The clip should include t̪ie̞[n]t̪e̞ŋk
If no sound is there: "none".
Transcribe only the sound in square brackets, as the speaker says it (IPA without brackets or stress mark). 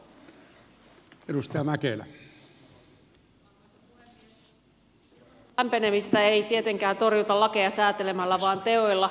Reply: none